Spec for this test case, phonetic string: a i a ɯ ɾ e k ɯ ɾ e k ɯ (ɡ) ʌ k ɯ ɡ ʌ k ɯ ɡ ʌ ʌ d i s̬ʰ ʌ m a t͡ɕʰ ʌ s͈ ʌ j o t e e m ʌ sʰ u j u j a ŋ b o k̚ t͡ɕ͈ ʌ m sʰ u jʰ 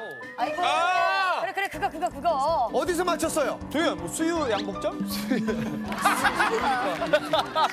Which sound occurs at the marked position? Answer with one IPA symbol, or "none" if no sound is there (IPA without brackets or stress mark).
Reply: ɡ